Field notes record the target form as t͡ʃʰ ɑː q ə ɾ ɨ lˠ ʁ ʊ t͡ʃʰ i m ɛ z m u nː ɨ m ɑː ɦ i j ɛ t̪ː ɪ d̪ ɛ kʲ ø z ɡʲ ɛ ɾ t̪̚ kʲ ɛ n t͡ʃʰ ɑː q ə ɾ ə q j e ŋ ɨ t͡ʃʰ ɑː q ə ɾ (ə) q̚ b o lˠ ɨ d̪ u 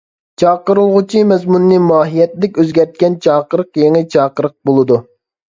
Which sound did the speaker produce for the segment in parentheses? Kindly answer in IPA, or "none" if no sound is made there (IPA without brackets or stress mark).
ə